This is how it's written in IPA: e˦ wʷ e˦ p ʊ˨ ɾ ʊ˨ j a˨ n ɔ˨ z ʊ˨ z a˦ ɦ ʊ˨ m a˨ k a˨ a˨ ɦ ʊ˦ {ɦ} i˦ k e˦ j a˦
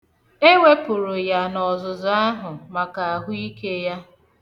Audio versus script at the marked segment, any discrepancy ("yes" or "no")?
yes